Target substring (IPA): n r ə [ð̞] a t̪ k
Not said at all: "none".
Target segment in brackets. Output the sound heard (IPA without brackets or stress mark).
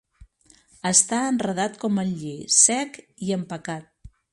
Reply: ð̞